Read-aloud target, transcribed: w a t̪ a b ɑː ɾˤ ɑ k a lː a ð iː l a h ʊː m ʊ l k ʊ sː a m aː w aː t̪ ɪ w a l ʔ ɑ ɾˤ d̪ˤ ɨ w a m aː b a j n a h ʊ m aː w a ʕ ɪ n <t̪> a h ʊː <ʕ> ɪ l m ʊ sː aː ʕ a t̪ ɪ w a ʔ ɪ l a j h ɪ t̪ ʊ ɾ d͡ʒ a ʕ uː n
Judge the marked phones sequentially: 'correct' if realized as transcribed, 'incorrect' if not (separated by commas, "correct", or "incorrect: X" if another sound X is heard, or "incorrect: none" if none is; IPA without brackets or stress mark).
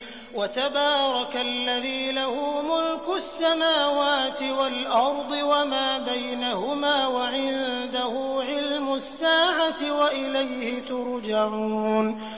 incorrect: d̪, correct